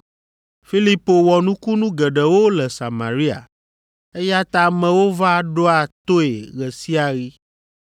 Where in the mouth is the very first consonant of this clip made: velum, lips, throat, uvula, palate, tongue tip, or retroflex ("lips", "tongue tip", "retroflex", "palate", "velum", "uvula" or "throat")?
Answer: lips